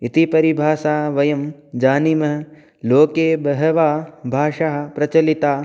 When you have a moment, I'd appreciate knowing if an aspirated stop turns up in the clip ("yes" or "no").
no